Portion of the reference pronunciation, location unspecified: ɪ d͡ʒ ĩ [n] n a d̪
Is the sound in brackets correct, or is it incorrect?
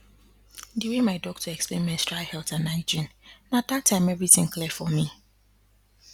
correct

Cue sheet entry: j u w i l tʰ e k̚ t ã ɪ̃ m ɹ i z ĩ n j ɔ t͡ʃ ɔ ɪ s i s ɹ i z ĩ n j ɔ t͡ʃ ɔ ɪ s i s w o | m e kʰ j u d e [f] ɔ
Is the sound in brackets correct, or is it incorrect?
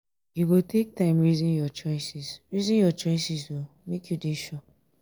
incorrect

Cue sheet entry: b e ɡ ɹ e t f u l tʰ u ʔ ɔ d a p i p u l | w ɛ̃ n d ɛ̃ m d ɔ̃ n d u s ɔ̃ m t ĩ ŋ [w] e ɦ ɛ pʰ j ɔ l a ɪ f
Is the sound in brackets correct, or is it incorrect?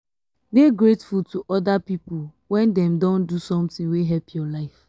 correct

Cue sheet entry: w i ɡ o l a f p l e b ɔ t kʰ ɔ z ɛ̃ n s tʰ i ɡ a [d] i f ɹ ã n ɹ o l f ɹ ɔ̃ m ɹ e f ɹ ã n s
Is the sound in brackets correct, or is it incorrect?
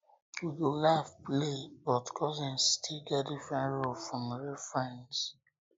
correct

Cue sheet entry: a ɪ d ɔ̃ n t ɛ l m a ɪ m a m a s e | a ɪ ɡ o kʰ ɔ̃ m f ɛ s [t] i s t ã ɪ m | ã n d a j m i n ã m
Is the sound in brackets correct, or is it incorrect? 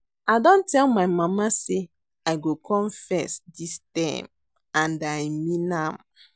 incorrect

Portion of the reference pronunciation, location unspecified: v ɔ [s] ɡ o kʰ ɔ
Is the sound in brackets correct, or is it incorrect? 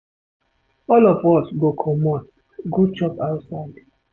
correct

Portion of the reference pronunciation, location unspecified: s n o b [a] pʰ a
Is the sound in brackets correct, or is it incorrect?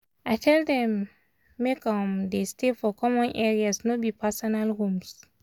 incorrect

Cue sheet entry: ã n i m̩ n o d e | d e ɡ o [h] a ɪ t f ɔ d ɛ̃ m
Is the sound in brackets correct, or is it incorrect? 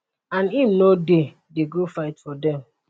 incorrect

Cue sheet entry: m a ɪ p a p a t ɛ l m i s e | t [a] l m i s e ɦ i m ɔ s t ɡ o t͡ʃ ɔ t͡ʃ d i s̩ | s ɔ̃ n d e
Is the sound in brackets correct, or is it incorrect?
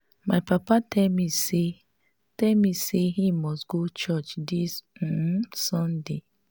incorrect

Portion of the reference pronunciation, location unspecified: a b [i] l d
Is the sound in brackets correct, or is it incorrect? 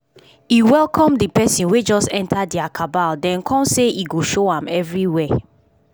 incorrect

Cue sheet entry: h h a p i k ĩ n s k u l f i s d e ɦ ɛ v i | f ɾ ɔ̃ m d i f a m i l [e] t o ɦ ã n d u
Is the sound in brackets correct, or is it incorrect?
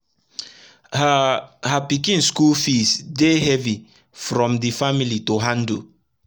incorrect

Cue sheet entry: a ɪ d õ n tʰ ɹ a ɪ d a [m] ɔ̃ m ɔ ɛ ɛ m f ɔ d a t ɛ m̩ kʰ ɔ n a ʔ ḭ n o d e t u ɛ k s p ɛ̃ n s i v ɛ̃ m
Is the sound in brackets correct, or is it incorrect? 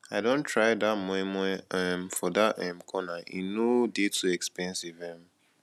correct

